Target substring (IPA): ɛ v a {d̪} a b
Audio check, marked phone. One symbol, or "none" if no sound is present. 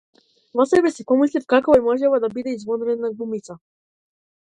d̪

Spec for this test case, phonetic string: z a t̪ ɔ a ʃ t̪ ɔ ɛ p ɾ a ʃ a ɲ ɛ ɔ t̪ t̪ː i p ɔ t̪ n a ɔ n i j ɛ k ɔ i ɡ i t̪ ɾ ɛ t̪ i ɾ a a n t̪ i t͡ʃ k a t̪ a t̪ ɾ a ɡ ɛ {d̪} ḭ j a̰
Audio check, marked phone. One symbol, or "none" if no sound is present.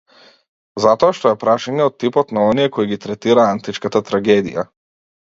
d̪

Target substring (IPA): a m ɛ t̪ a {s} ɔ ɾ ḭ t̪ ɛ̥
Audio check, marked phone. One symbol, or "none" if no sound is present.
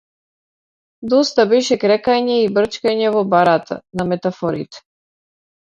f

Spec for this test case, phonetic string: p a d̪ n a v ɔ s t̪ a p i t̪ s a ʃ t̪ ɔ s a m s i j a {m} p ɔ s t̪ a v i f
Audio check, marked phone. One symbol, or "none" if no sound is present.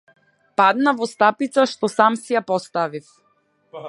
none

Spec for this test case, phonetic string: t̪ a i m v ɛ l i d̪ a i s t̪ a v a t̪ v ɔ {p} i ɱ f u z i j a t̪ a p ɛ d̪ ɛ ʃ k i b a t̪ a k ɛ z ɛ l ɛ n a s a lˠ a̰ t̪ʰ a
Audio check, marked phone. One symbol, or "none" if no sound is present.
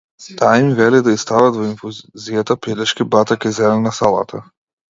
none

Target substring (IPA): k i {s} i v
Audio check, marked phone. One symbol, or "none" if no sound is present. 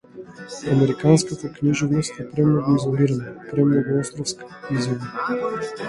z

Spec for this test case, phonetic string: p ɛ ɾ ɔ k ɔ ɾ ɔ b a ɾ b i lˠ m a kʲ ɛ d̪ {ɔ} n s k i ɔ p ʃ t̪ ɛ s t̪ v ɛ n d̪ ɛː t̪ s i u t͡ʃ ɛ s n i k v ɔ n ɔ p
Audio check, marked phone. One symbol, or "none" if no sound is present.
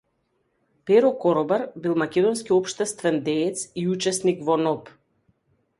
ɔ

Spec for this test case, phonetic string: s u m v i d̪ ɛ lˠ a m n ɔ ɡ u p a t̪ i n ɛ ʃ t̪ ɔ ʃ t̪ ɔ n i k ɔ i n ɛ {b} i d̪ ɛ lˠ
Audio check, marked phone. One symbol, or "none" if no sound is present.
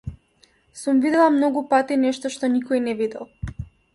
v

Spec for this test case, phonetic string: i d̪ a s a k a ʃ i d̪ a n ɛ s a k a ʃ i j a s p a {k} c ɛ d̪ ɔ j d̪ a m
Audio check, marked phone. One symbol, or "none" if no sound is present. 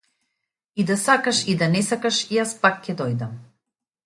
k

